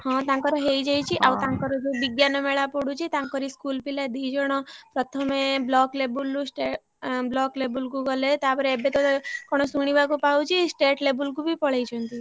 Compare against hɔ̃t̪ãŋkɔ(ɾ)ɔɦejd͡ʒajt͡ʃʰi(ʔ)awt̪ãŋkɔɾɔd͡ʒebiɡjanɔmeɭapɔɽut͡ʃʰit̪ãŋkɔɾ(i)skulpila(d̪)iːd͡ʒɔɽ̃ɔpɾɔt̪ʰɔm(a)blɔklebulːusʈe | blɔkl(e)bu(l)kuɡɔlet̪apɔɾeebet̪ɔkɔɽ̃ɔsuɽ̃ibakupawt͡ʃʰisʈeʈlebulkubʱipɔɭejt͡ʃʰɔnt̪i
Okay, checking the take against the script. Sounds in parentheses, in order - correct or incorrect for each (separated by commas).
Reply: correct, correct, correct, correct, incorrect, correct, correct